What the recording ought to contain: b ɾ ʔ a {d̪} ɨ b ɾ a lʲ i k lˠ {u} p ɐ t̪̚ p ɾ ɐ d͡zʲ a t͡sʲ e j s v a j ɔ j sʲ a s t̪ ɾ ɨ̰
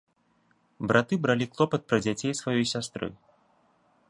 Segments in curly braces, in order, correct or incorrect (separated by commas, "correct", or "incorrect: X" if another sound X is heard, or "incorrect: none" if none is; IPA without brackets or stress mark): incorrect: t̪, incorrect: ɔ